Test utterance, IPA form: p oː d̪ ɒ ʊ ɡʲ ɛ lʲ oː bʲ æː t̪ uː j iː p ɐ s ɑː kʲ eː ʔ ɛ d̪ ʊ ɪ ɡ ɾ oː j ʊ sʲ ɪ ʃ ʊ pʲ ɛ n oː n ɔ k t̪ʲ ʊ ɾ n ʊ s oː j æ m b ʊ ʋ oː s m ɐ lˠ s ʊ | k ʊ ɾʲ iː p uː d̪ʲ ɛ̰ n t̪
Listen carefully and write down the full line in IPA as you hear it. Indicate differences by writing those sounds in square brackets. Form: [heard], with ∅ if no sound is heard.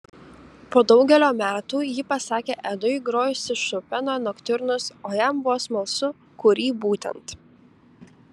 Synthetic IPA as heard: p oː d̪ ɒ ʊ ɡʲ ɛ lʲ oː [mʲ] æː t̪ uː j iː p ɐ s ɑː kʲ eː ʔ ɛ d̪ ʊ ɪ ɡ ɾ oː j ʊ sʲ ɪ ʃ ʊ pʲ ɛ n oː n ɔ k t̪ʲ ʊ ɾ n ʊ s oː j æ m b ʊ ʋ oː s m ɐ lˠ s ʊ | k ʊ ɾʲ iː [b] uː [t̪ʲ] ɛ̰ n t̪